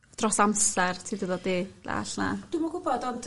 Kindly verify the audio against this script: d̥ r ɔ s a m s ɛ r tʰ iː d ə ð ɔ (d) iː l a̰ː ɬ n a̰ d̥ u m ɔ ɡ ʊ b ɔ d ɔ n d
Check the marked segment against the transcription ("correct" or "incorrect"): correct